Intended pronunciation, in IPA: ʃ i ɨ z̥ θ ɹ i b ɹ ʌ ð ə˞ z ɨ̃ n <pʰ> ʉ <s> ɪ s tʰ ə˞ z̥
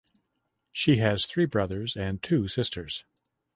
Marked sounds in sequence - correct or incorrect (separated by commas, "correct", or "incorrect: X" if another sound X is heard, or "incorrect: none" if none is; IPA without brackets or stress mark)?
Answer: incorrect: tʰ, correct